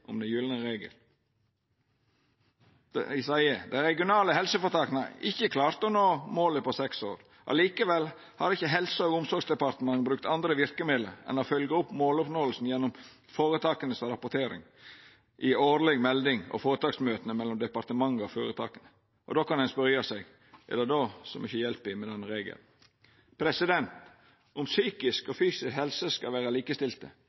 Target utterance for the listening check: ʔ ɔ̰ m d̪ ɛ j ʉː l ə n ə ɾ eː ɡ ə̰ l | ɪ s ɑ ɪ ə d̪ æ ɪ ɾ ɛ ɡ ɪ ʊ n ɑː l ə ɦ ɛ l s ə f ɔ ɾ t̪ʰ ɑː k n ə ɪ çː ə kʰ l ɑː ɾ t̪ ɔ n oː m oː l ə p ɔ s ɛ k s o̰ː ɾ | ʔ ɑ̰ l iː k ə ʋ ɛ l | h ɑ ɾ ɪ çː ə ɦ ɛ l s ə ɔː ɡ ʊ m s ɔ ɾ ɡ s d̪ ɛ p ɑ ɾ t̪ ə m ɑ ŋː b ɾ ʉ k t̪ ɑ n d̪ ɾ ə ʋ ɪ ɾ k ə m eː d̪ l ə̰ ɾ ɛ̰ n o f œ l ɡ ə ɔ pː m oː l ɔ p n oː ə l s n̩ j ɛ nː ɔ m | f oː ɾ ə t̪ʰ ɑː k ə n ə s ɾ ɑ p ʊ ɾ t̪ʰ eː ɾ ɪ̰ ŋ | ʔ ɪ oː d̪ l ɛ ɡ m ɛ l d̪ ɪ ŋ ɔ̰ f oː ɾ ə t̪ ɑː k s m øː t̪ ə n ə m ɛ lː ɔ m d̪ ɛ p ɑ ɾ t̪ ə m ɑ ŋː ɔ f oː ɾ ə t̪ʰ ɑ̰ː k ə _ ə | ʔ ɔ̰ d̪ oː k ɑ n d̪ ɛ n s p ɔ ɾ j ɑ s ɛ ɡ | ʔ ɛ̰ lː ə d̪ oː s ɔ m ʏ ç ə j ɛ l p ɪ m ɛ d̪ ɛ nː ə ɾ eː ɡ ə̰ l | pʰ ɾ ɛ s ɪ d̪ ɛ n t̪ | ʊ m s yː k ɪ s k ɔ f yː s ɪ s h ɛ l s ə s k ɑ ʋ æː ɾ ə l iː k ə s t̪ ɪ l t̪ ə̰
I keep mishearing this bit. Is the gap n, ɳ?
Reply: n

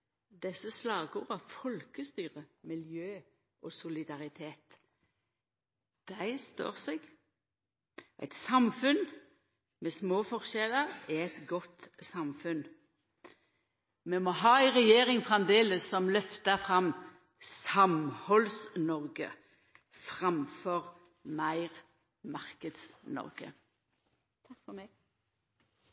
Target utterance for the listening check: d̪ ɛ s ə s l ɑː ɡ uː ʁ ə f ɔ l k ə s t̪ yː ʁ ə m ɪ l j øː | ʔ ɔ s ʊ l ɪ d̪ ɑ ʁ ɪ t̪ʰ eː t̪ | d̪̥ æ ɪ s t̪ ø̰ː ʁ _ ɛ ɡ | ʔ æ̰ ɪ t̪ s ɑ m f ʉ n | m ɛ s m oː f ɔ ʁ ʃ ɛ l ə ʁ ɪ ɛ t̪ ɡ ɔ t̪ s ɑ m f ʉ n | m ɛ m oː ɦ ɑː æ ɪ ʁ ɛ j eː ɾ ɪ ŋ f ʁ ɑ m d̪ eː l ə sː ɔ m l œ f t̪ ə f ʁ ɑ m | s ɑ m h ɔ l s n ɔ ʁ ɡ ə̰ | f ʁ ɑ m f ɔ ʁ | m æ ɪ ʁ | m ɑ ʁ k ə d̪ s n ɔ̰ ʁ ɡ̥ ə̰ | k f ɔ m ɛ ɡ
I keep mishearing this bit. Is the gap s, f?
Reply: s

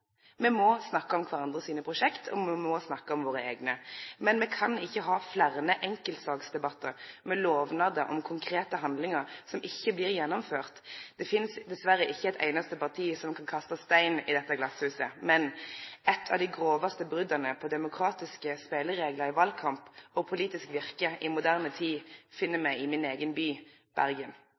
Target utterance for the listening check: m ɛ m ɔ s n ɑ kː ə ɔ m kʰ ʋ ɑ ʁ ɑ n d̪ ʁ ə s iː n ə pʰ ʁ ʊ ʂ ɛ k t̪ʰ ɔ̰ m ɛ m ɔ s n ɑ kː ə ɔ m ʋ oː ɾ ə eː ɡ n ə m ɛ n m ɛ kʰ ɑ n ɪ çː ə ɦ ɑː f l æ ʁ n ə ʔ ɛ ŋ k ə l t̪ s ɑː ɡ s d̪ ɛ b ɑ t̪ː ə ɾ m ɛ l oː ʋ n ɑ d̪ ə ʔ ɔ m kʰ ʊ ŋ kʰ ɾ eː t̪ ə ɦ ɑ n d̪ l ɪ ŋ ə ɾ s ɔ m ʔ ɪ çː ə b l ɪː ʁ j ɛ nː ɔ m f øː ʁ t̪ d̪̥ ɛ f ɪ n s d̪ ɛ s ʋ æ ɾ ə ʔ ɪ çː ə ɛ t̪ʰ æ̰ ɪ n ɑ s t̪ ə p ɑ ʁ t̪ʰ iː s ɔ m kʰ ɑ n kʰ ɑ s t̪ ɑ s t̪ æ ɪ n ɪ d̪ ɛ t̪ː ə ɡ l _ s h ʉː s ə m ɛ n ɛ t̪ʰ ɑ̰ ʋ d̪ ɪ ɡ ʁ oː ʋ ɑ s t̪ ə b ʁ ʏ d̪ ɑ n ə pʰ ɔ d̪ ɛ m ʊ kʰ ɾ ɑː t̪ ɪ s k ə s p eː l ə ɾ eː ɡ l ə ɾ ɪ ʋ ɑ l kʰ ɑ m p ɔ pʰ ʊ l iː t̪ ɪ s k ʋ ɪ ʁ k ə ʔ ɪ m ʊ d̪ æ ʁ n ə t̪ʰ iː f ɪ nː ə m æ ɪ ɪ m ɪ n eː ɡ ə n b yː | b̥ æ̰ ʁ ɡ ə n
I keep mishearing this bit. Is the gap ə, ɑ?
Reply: ɑ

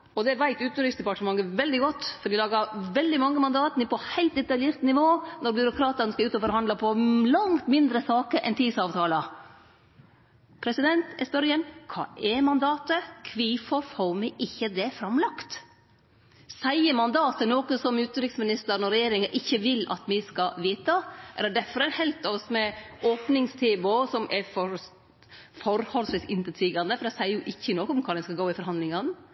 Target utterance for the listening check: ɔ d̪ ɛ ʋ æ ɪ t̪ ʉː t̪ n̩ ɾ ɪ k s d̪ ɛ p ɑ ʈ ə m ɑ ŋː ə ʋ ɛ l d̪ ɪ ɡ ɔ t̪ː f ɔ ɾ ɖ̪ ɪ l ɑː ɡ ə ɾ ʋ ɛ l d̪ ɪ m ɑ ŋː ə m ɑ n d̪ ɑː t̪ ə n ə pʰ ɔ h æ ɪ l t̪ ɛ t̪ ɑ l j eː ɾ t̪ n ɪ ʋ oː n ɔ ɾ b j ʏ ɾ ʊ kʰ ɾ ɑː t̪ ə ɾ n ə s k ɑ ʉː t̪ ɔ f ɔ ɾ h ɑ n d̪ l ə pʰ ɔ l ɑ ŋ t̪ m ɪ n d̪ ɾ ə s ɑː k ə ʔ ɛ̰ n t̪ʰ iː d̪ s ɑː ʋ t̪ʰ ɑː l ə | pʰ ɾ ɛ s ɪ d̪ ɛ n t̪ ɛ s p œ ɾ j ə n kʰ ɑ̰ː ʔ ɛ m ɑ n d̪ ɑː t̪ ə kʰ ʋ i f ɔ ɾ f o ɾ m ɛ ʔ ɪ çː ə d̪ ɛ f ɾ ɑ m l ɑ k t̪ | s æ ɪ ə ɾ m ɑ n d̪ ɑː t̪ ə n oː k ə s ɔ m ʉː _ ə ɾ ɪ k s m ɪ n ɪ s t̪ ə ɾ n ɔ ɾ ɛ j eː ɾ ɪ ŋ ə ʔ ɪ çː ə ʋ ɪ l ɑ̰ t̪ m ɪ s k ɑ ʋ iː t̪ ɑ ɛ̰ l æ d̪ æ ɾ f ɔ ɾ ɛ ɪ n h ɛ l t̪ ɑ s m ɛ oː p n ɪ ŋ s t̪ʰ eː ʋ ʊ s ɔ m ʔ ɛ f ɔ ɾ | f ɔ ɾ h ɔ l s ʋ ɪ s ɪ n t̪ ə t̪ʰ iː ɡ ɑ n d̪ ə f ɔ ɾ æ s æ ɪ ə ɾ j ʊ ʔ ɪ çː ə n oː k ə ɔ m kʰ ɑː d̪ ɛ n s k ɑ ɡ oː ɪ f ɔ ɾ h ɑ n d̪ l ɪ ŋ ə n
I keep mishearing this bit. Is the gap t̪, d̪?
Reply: t̪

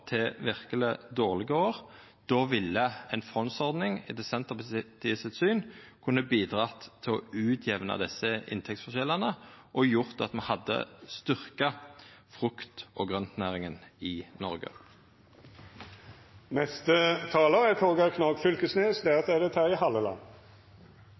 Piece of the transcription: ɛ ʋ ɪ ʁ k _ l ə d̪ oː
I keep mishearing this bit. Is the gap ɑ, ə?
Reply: ə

